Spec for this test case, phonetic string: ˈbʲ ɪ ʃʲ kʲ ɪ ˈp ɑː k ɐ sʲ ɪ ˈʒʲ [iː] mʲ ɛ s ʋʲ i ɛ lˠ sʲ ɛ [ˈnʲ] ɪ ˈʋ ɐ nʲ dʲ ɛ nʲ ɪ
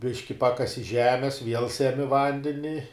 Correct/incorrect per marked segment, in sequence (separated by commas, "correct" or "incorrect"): incorrect, incorrect